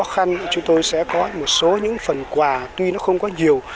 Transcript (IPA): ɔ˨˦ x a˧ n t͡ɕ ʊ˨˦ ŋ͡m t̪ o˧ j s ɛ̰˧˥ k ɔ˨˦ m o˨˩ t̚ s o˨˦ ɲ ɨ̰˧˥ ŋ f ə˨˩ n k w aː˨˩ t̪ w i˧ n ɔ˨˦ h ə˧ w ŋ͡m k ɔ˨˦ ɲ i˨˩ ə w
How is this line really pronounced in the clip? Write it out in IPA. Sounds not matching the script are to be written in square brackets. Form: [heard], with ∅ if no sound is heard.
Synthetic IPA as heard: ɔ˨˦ x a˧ n t͡ɕ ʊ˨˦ ŋ͡m t̪ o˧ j s ɛ̰˧˥ k ɔ˨˦ m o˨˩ t̚ s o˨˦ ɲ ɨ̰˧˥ ŋ f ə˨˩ n k w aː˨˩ t̪ w i˧ n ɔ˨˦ [x] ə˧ w ŋ͡m k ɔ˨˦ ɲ i˨˩ ə w